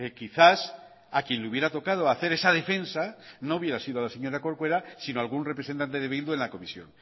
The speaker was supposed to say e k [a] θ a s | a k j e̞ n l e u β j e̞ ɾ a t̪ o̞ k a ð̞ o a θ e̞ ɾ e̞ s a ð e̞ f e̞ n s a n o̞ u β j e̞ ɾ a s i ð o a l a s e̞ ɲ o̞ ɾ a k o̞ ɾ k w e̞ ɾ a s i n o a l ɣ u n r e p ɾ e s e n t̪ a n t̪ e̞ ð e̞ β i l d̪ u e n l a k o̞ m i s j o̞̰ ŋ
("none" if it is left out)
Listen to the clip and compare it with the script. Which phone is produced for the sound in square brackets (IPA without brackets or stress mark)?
i